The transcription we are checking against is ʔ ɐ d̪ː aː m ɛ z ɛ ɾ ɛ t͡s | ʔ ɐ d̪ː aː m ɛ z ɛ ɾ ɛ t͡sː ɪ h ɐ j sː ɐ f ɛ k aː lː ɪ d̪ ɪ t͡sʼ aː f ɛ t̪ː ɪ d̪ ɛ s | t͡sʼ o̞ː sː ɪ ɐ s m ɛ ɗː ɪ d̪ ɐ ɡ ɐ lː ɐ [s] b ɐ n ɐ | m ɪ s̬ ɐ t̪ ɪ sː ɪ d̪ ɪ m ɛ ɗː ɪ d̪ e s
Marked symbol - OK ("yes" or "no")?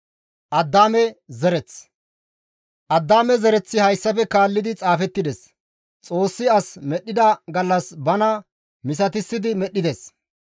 yes